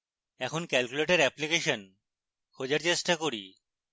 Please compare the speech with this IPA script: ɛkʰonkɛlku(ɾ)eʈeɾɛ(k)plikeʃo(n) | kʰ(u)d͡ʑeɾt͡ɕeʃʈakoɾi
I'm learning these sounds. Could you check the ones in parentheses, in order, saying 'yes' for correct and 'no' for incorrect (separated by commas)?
no, no, yes, no